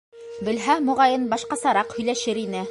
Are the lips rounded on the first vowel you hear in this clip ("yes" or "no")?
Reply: no